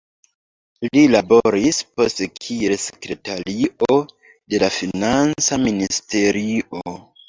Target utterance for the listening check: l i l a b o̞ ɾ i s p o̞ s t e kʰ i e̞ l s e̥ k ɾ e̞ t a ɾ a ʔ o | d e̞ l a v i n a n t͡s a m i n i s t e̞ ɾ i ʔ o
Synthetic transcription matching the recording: l i l a b o̞ ɾ i s p o̞ s t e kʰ i e̞ l s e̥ k ɾ e̞ t a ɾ i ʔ o | d e̞ l a f i n a n t͡s a m i n i s t e̞ ɾ i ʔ o